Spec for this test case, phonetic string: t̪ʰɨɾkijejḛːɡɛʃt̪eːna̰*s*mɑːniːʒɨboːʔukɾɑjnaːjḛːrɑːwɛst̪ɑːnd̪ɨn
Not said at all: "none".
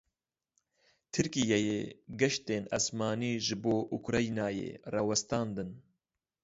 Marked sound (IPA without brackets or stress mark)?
s